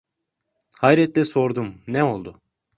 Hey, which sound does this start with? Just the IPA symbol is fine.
h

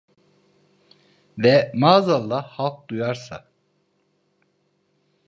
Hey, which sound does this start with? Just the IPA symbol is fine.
v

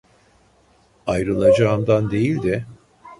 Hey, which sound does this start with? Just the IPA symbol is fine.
a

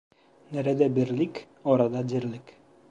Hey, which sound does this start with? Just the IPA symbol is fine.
n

